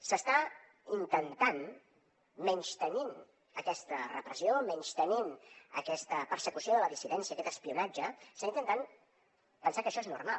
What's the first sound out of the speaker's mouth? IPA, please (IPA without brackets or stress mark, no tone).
s